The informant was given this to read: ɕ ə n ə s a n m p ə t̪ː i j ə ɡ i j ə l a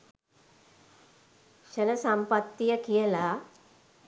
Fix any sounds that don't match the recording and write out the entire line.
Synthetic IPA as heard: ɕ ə n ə s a m p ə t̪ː i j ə k i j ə l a